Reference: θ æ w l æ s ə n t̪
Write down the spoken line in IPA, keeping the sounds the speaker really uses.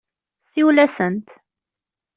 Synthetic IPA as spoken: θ i w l æ s ə n t̪